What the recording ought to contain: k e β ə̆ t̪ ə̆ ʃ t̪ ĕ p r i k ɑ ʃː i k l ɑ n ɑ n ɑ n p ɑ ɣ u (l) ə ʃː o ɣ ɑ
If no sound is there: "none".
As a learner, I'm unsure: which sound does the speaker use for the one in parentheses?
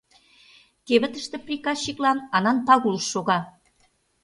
l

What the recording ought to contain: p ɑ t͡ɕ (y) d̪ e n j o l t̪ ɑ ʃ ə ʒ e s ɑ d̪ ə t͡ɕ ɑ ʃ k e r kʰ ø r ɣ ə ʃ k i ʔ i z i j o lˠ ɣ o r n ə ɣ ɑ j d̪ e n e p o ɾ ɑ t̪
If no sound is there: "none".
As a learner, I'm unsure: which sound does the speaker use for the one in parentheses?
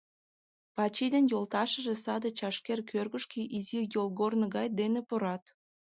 i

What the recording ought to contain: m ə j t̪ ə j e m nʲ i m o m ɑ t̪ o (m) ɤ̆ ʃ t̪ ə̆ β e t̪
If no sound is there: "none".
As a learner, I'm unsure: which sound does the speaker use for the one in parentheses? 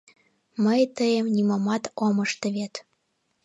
m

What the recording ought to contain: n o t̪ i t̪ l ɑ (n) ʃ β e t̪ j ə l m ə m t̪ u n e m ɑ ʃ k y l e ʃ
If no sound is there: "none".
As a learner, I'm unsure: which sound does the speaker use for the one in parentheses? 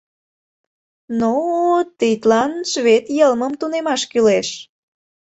n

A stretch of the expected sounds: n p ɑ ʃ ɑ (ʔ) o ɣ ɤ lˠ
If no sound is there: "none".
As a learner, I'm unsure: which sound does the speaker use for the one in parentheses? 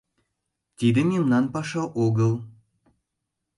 ʔ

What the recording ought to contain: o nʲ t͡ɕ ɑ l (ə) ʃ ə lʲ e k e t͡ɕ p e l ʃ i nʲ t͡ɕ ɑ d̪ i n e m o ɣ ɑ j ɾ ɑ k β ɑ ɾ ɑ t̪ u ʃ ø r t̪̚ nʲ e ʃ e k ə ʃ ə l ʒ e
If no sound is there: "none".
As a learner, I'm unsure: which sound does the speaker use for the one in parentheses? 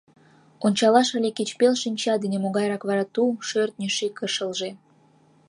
ɑ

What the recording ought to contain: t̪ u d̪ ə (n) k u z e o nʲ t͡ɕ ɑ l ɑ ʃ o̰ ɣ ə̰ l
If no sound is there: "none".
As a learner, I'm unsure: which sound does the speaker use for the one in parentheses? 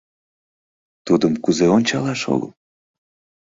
m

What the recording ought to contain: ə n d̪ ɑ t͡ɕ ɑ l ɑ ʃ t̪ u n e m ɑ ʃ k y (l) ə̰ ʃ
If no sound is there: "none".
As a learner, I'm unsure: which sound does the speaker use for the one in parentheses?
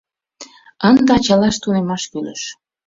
l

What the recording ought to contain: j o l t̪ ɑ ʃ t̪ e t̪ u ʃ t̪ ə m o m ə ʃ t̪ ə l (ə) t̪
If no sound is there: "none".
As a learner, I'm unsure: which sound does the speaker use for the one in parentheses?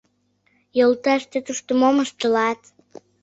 ɑ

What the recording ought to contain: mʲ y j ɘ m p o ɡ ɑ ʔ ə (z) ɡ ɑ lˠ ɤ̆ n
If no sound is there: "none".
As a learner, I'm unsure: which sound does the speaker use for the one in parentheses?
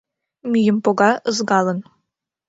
z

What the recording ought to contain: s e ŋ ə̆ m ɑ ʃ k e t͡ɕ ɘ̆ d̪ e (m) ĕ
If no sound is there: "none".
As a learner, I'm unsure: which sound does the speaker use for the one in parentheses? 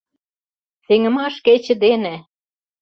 n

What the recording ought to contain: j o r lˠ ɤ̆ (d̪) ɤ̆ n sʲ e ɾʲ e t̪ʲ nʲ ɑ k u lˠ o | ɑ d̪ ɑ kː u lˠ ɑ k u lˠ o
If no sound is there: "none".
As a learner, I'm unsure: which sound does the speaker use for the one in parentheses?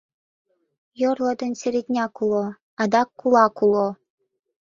d̪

